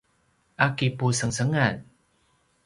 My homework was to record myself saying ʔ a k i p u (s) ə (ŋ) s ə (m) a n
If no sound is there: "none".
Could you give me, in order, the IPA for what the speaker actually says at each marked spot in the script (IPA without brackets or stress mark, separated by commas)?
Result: s, ŋ, ŋ